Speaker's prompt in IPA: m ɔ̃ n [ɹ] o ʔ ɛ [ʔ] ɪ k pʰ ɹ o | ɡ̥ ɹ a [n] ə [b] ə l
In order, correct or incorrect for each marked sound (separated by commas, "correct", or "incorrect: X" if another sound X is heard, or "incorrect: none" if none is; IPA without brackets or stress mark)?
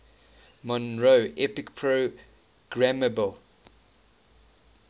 correct, incorrect: p, incorrect: m, correct